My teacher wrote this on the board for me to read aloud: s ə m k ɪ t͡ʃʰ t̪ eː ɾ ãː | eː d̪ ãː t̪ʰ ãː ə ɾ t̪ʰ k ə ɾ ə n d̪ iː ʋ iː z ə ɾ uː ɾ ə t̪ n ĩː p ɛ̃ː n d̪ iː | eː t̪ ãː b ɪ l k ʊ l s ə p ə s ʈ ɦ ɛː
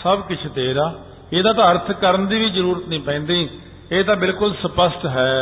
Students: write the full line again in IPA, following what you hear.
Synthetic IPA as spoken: s ə b k ɪ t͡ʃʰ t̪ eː ɾ aː | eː d̪ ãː t̪ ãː ə ɾ t̪ʰ k ə ɾ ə n d̪ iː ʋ iː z ə ɾ uː ɾ ə t̪ n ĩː p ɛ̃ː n d̪ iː | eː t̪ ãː b ɪ l k ʊ l s ə p ə s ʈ ɦ ɛː